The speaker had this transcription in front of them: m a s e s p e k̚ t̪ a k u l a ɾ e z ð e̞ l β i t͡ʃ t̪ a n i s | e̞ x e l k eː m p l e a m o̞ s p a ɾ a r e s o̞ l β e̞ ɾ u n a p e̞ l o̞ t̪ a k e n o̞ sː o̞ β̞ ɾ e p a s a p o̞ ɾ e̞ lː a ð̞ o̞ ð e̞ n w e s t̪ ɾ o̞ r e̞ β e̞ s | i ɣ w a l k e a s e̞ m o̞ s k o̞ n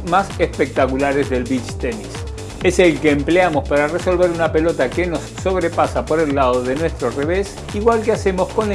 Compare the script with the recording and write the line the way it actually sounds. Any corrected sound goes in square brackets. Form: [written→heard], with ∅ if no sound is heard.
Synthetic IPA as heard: m a s e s p e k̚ t̪ a k u l a ɾ e z ð e̞ l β i t͡ʃ t̪ [a→e] n i s | e̞ [x→s] e l k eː m p l e a m o̞ s p a ɾ a r e s o̞ l β e̞ ɾ u n a p e̞ l o̞ t̪ a k e n o̞ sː o̞ β̞ ɾ e p a s a p o̞ ɾ e̞ lː a ð̞ o̞ ð e̞ n w e s t̪ ɾ o̞ r e̞ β e̞ s | i ɣ w a l k e a s e̞ m o̞ s k o̞ n